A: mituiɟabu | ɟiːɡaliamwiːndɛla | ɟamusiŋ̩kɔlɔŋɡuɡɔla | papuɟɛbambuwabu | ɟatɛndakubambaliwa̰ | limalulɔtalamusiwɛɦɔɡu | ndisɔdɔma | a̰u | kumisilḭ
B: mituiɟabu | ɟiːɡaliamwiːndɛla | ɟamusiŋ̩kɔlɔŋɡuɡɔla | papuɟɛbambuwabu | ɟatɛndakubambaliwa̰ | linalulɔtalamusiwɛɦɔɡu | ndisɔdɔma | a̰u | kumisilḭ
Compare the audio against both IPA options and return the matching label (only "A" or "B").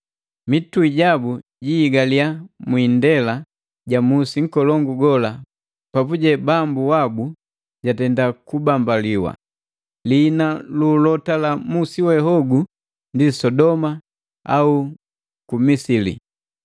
B